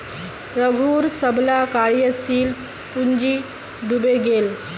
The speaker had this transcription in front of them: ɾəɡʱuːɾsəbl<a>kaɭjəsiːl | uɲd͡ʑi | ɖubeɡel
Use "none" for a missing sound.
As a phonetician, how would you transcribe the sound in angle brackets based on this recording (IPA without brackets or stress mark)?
a